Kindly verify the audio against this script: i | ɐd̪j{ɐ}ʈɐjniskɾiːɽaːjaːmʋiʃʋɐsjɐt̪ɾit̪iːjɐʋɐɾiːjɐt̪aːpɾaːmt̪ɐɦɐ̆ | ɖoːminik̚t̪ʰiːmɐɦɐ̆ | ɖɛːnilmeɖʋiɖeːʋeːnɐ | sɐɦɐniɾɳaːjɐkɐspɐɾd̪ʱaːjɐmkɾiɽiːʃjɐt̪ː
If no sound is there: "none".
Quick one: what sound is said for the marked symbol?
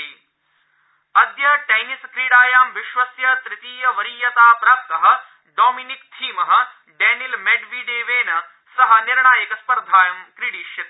ɐ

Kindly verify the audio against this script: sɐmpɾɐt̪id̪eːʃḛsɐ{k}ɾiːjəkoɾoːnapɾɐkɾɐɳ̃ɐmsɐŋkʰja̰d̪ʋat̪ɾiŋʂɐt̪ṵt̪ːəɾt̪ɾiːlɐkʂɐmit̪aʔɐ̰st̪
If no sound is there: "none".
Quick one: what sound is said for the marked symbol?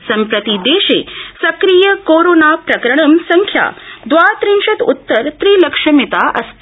k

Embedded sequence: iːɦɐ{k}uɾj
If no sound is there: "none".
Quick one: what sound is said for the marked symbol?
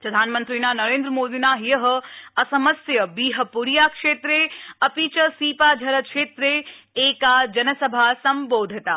p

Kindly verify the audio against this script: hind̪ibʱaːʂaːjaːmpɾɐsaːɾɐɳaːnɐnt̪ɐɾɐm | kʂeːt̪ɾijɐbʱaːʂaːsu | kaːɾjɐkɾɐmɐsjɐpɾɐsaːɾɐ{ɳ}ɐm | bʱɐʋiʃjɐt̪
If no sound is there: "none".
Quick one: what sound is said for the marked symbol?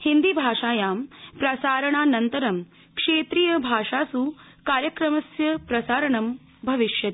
ɳ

